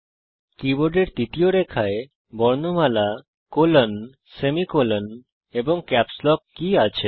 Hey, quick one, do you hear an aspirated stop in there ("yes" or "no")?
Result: yes